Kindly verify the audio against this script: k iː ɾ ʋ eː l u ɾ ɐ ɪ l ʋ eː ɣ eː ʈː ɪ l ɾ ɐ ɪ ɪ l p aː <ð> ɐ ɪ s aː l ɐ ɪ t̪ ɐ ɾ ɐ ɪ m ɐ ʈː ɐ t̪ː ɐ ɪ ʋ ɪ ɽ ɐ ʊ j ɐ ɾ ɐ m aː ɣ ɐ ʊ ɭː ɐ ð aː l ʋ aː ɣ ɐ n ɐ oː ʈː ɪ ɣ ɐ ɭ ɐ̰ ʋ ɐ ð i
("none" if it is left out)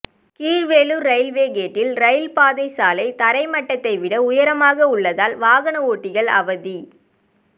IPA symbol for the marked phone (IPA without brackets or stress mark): ð